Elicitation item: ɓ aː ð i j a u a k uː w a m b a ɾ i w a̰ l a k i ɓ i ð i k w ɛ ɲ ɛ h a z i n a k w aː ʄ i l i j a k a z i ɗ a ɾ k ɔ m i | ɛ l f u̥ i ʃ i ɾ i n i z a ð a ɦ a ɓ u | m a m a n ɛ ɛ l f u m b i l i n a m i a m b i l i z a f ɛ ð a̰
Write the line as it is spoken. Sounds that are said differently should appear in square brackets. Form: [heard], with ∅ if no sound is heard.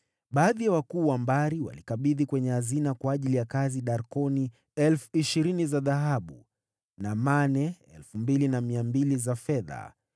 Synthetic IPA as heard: ɓ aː ð i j a [w] a k uː w a m b a ɾ i w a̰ l [i] k [a] ɓ i ð i k w ɛ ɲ ɛ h a z i n a k w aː ʄ i l i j a k a z i ɗ a ɾ k ɔ [n] i | ɛ l f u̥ i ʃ i ɾ i n i z a ð a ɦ a ɓ u | [n] a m a n ɛ ɛ l f u m b i l i n a m i a m b i l i z a f ɛ ð a̰